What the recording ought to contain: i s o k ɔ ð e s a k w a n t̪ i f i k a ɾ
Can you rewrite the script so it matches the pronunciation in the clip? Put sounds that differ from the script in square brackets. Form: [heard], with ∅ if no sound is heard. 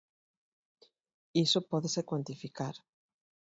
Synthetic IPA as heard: i s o [p] ɔ ð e s [e] k w a n t̪ i f i k a ɾ